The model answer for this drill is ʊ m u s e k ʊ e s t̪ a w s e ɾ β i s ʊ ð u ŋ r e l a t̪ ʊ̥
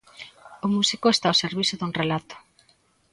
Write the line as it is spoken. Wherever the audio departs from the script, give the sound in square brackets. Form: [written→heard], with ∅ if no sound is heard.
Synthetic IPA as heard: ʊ m u s [e→i] k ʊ e s t̪ a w s e ɾ β i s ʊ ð u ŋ r e l a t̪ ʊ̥